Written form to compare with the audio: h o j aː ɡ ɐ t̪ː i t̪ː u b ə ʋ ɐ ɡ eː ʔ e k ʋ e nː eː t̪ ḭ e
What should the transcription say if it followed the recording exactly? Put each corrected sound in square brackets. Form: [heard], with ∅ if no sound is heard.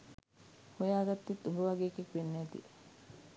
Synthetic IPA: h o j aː ɡ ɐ t̪ː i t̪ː u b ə ʋ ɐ ɡ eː [k] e k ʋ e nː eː t̪ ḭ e